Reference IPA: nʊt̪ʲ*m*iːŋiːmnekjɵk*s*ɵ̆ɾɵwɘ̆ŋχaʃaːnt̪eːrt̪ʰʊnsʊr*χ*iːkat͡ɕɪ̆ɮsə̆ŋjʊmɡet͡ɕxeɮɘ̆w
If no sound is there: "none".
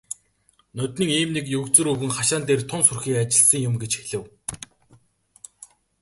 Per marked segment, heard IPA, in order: n, t͡s, x

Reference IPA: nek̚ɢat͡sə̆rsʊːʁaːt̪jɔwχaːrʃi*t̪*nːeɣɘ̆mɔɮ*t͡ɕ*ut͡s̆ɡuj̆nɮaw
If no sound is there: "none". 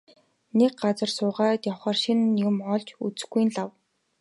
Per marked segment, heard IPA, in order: none, t͡ɕ

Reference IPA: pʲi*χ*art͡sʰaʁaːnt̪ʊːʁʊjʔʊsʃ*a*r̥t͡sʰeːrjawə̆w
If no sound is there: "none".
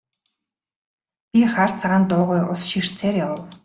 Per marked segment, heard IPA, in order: χ, i

